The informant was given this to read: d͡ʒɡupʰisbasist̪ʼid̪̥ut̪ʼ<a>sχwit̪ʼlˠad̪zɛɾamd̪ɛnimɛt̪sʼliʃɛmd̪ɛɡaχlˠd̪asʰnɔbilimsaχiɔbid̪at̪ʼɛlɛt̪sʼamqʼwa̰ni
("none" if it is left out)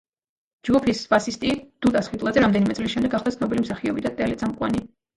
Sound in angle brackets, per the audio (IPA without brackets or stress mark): a